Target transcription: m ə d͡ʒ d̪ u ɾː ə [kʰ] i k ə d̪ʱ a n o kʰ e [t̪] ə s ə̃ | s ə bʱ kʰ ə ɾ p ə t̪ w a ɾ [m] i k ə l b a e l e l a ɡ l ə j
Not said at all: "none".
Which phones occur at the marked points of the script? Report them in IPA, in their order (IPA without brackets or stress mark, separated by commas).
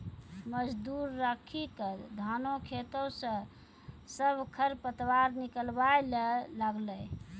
kʰ, t̪, n